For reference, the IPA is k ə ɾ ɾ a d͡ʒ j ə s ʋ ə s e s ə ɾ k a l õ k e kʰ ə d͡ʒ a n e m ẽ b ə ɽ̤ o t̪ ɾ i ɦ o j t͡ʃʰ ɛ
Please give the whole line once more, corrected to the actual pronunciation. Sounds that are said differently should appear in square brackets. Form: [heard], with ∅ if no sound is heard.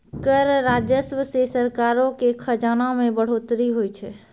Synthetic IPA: k ə ɾ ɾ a d͡ʒ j ə s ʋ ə s e s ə ɾ k a [ɾ] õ k e kʰ ə d͡ʒ a n [a] m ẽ b ə ɽ̤ o t̪ ɾ i ɦ o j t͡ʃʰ ɛ